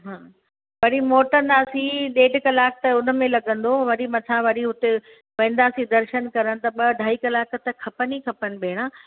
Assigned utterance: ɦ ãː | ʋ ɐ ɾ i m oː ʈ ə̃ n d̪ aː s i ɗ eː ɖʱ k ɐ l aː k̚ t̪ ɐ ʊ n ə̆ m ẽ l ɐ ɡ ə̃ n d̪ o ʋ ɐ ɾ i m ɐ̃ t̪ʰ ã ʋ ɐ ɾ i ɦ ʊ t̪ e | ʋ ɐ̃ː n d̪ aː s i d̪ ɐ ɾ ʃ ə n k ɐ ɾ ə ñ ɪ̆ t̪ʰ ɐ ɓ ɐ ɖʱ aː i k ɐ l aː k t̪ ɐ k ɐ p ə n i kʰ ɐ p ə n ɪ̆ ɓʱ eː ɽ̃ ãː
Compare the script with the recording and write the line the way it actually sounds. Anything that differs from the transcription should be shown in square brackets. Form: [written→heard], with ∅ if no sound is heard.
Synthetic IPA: ɦ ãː | ʋ ɐ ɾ i m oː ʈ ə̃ n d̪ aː s i ɗ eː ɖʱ k ɐ l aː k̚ t̪ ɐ ʊ n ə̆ m ẽ l ɐ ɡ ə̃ n d̪ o ʋ ɐ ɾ i m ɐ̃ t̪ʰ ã ʋ ɐ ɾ i ɦ ʊ t̪ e | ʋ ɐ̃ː n d̪ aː s i d̪ ɐ ɾ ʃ ə n k ɐ ɾ ə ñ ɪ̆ [t̪ʰ→t̪] ɐ ɓ ɐ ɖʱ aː i k ɐ l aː k t̪ ɐ [k→kʰ] ɐ p ə n i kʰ ɐ p ə n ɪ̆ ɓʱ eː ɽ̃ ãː